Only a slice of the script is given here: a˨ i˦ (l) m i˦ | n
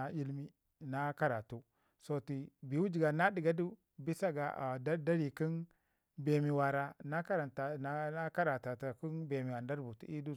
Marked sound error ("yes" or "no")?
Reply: no